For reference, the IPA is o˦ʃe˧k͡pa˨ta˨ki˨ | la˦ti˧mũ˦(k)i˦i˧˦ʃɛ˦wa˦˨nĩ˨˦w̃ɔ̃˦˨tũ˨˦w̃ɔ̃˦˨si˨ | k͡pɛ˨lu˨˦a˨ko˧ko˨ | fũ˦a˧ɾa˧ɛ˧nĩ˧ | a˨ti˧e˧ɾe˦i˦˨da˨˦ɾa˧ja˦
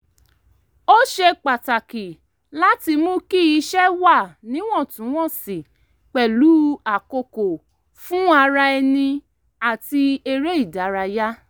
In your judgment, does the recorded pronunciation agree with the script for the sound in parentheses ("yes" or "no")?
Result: yes